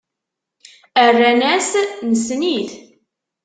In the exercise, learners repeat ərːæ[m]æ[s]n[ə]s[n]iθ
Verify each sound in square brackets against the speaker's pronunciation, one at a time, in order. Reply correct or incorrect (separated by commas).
incorrect, correct, correct, correct